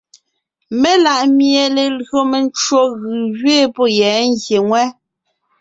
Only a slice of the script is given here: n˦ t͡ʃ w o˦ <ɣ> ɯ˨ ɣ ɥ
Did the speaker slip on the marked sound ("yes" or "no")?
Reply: no